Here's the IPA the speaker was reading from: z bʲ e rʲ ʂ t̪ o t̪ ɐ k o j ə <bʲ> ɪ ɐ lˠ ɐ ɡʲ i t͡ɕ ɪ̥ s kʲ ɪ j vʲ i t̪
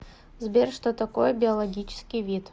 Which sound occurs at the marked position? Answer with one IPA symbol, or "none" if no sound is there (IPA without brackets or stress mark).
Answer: bʲ